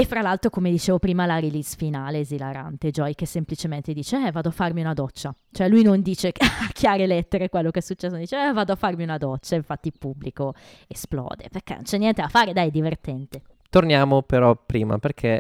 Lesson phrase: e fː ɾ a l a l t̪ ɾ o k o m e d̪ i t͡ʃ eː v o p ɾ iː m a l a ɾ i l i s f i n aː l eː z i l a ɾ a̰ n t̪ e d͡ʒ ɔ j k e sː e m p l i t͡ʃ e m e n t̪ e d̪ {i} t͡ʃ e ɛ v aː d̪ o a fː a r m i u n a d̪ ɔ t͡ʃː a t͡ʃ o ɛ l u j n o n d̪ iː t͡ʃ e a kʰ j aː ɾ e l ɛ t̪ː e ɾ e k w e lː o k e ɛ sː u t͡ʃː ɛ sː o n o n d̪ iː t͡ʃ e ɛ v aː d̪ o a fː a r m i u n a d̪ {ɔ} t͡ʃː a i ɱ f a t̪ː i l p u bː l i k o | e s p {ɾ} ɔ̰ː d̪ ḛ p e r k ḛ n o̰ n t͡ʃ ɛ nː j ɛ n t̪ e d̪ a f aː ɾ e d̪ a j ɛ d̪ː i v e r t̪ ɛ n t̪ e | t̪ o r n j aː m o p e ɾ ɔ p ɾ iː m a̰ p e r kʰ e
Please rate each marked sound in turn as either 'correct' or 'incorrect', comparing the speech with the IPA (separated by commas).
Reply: incorrect, correct, incorrect